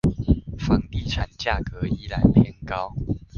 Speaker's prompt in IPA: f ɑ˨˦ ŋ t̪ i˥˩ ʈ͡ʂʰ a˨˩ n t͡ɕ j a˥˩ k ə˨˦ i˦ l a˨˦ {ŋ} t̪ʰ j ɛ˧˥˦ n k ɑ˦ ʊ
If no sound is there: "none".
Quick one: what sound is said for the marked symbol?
n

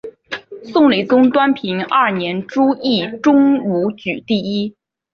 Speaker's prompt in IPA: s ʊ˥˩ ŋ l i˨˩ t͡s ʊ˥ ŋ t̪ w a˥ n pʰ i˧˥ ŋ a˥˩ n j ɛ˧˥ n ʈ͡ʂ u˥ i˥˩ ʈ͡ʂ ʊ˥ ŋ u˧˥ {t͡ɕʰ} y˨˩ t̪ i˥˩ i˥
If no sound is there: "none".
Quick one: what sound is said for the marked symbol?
t͡ɕ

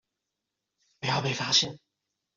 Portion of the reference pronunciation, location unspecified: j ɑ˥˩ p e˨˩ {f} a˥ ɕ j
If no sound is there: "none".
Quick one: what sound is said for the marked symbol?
f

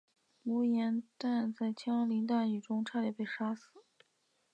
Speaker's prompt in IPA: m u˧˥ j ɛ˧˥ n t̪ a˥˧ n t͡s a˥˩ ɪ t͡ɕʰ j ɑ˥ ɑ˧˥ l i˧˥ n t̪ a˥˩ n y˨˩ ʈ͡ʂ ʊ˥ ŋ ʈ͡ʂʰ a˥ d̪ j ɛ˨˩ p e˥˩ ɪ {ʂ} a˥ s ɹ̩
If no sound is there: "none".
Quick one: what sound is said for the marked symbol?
ʂ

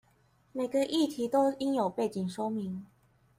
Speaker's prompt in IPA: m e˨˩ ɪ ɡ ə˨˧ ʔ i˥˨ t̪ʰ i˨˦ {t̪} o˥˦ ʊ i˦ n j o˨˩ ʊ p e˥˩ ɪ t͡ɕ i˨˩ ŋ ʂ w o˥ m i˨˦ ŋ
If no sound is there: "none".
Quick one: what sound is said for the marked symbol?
t̪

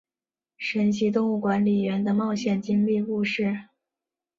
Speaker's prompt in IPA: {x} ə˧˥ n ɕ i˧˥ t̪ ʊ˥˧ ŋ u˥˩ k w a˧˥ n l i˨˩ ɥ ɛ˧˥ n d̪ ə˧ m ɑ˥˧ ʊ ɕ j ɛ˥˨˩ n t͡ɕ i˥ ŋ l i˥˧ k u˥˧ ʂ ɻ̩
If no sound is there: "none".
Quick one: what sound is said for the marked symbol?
ʂ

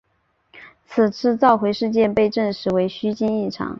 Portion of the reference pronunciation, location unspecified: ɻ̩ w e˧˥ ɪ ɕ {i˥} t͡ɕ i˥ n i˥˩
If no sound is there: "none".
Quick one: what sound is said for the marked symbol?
y˥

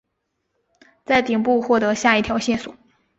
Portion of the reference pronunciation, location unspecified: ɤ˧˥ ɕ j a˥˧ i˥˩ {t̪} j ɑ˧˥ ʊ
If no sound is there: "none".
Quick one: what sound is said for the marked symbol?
t̪ʰ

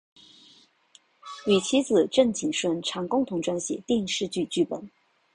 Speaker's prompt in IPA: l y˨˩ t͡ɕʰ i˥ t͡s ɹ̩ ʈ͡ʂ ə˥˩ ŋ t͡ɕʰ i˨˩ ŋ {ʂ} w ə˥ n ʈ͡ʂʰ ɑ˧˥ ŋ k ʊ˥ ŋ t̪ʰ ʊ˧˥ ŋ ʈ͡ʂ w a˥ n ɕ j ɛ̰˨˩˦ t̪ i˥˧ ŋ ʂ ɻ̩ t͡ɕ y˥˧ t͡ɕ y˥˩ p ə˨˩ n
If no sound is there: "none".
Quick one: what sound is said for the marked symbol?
ʂ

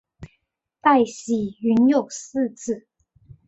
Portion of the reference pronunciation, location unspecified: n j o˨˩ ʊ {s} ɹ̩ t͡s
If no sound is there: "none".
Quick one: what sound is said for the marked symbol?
s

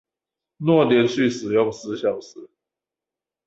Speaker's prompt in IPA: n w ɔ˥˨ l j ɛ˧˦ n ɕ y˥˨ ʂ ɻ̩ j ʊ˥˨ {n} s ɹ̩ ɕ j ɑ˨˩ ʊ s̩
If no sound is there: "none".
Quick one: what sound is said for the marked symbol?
ŋ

